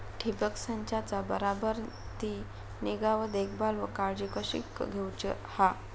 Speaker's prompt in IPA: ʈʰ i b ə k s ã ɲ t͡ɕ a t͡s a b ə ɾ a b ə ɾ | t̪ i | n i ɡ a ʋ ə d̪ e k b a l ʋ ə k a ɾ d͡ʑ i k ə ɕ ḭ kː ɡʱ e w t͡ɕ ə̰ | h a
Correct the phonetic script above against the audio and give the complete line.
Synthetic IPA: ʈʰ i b ə k s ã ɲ t͡ɕ a t͡s a b ə ɾ a b ə ɾ | t̪ i | n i ɡ a ʋ ə d̪ e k b a l ʋ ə k a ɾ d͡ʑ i k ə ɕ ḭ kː ɡʱ e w t͡ɕ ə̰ | h a

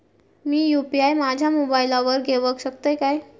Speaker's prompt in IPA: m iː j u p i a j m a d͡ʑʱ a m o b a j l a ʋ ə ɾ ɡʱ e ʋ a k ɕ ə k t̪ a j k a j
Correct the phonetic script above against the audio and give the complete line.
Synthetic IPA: m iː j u p i a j m a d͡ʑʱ a m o b a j l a ʋ ə ɾ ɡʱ e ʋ ə k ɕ ə k t̪ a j k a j

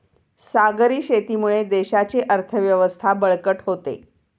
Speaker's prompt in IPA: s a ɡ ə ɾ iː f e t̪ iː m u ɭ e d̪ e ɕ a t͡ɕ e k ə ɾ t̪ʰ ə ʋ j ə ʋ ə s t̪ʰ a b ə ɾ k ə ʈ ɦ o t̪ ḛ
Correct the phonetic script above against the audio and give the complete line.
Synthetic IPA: s a ɡ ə ɾ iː ɕ e t̪ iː m u ɭ e d̪ e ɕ a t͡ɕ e ʔ ə ɾ t̪ʰ ə ʋ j ə ʋ ə s t̪ʰ a b ə ɭ k ə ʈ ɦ o t̪ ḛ

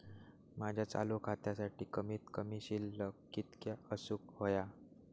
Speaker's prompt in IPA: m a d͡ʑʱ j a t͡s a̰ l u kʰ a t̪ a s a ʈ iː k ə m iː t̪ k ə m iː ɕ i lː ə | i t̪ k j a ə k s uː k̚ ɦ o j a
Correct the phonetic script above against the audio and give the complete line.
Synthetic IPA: m a d͡ʑʱ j a t͡s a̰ l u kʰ a t̪ a s a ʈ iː k ə m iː t̪ k ə m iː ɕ i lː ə | i t̪ k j a ə s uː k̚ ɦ o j a

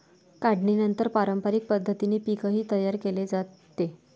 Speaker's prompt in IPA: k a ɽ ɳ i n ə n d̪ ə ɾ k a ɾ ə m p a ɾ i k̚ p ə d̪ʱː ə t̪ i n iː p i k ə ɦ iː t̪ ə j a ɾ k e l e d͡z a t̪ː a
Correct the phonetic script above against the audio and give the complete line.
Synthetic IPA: k a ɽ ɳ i n ə n t̪ ə ɾ p a ɾ ə m p a ɾ i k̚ p ə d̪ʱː ə t̪ i n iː p i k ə ɦ iː t̪ ə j a ɾ k e l e d͡z a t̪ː e

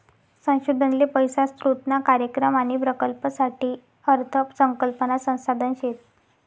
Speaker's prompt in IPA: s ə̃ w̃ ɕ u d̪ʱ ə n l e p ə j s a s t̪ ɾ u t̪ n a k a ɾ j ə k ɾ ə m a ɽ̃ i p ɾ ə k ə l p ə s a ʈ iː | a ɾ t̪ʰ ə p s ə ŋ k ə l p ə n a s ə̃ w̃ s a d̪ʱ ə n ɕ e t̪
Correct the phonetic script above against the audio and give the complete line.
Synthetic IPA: s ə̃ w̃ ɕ u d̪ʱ ə n l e p ə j s a s t̪ ɾ u t̪ n a k a ɾ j ə k ɾ ə m a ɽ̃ i p ɾ ə k ə l p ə s a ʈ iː | ə ɾ t̪ʰ ə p s ə ŋ k ə l p ə n a s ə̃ w̃ s a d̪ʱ ə n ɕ e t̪

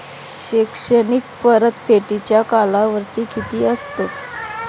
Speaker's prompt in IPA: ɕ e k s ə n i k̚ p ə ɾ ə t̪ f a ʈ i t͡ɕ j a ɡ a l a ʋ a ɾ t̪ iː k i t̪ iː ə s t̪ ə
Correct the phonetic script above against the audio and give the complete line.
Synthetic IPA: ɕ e k ʂ ə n i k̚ p ə ɾ ə t̪ f e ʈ i t͡ɕ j a k a l a ʋ ə ɾ t̪ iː k i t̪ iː ə s t̪ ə

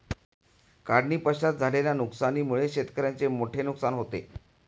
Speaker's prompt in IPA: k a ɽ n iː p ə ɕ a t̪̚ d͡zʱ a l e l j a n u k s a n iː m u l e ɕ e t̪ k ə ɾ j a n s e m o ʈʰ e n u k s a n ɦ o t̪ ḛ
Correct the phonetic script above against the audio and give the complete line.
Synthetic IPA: k a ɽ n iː p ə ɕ a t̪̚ d͡zʱ a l e l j a n u k s a n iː m u ɭ e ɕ e t̪ k ə ɾ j a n t͡s e m o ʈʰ e n u k s a n ɦ o t̪ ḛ

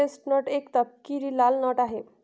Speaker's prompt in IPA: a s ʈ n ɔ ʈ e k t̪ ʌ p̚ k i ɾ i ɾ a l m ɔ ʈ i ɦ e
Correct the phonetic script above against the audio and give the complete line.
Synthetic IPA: e s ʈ n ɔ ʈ e k t̪ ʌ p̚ k i ɾ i l a l n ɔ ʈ a ɦ e

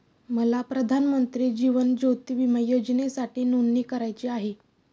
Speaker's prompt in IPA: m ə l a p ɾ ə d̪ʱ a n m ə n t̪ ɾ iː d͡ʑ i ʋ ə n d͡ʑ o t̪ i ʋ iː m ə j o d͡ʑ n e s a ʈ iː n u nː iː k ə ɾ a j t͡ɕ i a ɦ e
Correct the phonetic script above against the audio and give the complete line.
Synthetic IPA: m ə l a p ɾ ə d̪ʱ a n m ə n t̪ ɾ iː d͡ʑ i ʋ ə n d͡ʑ o t̪ i ʋ i m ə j o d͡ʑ n e s a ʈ iː n u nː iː k ə ɾ a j t͡ɕ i a ɦ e

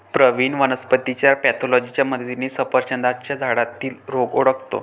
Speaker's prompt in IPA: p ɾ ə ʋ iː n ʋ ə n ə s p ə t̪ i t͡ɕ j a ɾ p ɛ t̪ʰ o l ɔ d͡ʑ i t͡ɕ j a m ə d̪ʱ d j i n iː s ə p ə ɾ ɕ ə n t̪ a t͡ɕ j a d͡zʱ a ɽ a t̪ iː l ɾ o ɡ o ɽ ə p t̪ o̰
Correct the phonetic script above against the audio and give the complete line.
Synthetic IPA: p ɾ ə ʋ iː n ʋ ə n ə s p ə t̪ i t͡ɕ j a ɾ p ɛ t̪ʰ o l ɔ d͡ʑ i t͡ɕ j a m ə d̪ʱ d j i n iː s ə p ə ɾ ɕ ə n d̪ a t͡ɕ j a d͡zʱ a ɽ a t̪ iː l ɾ o ɡ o ɽ ə k t̪ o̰

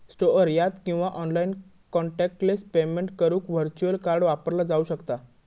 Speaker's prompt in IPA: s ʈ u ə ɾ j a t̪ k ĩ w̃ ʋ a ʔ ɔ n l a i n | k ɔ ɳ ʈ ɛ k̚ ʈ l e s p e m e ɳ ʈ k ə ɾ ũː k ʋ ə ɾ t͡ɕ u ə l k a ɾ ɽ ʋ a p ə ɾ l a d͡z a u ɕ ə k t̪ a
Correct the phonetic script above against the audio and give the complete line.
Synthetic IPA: s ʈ o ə ɾ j a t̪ k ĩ w̃ ʋ a ʔ ɔ n l a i n | k ɔ ɳ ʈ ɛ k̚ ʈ l e s p e m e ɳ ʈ k ə ɾ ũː k ʋ ə ɾ t͡ɕ u ə l k a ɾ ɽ ʋ a p ə ɾ l a d͡z a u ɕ ə k t̪ a

